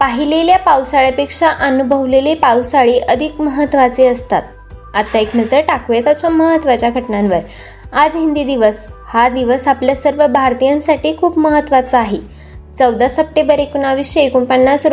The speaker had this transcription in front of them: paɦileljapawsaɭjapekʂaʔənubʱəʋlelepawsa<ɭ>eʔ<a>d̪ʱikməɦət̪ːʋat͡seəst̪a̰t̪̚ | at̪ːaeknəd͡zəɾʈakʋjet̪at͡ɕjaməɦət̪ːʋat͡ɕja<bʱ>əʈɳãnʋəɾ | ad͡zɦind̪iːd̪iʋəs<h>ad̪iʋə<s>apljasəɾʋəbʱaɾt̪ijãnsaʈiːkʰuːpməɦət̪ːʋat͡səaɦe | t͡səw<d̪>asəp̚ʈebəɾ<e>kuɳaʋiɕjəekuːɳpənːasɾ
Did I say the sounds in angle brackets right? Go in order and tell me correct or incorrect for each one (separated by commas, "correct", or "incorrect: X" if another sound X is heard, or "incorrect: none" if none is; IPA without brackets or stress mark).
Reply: correct, incorrect: ə, incorrect: ɡʱ, correct, correct, correct, correct